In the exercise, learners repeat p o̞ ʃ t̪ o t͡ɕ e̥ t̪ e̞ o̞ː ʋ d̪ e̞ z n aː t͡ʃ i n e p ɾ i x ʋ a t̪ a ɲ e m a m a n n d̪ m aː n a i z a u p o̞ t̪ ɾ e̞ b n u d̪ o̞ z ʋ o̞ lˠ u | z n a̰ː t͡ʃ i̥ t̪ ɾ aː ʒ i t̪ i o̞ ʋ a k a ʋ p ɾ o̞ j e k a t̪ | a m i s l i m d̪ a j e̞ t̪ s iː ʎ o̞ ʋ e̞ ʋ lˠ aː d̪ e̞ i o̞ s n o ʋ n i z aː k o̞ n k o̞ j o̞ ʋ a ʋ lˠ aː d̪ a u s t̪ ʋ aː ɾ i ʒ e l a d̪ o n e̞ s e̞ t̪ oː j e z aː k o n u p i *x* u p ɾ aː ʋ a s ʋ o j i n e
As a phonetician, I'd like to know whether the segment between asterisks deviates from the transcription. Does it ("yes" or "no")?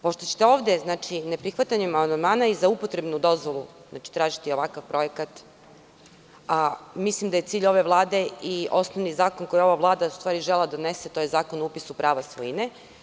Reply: yes